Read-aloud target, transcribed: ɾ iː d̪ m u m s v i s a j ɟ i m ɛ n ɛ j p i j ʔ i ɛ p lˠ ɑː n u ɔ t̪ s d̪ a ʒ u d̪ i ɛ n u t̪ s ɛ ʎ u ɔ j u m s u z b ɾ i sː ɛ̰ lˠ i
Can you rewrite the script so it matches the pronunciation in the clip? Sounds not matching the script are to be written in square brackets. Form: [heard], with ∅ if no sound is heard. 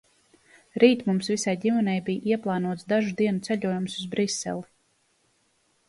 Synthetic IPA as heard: ɾ iː [t̪] m u m s v i s a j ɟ i m ɛ n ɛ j [b] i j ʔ i ɛ p lˠ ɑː n u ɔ t̪ s d̪ a ʒ u d̪ i ɛ n u t̪ s ɛ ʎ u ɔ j u m s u z b ɾ i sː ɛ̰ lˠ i